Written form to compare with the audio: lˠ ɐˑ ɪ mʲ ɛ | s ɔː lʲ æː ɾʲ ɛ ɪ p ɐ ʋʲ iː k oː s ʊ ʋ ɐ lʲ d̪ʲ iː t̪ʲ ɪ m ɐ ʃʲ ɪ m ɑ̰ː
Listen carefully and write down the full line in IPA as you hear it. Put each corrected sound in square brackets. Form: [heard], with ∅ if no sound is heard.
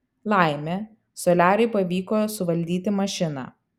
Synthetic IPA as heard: lˠ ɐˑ ɪ mʲ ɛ | s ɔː lʲ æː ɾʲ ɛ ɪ p ɐ ʋʲ iː k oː s ʊ ʋ ɐ lʲ d̪ʲ iː t̪ʲ ɪ m ɐ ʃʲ ɪ [n] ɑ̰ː

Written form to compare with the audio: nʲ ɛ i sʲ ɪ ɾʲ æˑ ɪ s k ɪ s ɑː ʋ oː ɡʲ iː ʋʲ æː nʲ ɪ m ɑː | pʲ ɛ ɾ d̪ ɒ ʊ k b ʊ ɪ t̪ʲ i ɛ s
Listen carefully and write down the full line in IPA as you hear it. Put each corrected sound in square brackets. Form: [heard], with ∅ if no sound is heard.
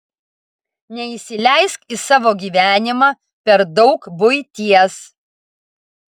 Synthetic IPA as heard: nʲ ɛ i sʲ ɪ [lʲ] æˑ ɪ s k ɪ s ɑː ʋ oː ɡʲ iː ʋʲ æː nʲ ɪ m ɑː | pʲ ɛ ɾ d̪ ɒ ʊ k b ʊ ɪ t̪ʲ i ɛ s

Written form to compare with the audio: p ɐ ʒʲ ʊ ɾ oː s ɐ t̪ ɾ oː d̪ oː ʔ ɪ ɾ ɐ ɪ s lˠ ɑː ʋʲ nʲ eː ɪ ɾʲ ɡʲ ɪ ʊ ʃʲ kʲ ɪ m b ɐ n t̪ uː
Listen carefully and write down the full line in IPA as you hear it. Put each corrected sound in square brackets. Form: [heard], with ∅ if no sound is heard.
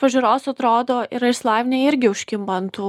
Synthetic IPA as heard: p ɐ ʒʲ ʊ ɾ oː s ɐ t̪ ɾ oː d̪ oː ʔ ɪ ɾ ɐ ɪ s lˠ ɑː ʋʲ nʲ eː ɪ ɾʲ ɡʲ ɪ ʊ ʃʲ kʲ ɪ m b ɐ n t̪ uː

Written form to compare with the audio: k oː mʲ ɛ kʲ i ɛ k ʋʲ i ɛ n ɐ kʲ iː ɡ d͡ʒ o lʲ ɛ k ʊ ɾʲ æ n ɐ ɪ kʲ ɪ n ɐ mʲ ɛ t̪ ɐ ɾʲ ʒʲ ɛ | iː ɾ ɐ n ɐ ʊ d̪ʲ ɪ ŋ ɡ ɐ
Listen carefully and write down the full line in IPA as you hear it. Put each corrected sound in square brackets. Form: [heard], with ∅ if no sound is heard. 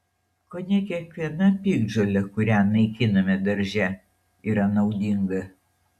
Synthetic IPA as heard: k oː [nʲ] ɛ kʲ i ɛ k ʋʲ i ɛ n ɐ [pʲ] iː ɡ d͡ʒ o lʲ ɛ k ʊ ɾʲ æ n ɐ ɪ kʲ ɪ n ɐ mʲ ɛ [d̪] ɐ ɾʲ ʒʲ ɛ | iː ɾ ɐ n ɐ ʊ d̪ʲ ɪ ŋ ɡ ɐ

